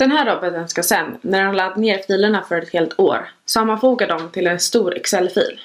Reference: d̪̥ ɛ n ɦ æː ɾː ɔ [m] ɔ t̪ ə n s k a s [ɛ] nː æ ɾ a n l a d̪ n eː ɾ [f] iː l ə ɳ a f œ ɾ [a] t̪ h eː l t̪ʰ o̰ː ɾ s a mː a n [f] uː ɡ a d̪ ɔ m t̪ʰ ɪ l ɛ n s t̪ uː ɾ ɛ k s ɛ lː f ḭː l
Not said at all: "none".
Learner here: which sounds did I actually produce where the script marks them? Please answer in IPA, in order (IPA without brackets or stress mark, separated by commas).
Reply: b, ɛ, f, ɛ, f